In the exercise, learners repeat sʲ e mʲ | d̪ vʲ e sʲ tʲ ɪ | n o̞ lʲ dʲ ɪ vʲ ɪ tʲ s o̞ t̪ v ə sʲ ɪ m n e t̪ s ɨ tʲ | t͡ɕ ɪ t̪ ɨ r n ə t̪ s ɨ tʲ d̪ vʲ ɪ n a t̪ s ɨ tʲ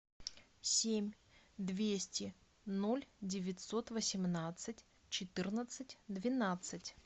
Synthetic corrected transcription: sʲ e mʲ | d̪ vʲ e sʲ tʲ ɪ | n o̞ lʲ dʲ ɪ vʲ ɪ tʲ s o̞ t̪ v ə sʲ ɪ m n a t̪ s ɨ tʲ | t͡ɕ ɪ t̪ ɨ r n ə t̪ s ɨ tʲ d̪ vʲ ɪ n a t̪ s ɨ tʲ